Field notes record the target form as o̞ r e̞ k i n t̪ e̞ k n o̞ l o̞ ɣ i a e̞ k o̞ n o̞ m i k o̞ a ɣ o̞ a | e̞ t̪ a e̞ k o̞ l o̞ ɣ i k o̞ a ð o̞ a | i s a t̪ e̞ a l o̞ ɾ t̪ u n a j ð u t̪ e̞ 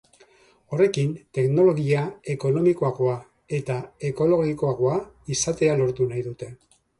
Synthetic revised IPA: o̞ r e̞ k i n t̪ e̞ k n o̞ l o̞ ɣ i a e̞ k o̞ n o̞ m i k o̞ a ɣ o̞ a | e̞ t̪ a e̞ k o̞ l o̞ ɣ i k o̞ a ɣ o̞ a | i s a t̪ e̞ a l o̞ ɾ t̪ u n a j ð u t̪ e̞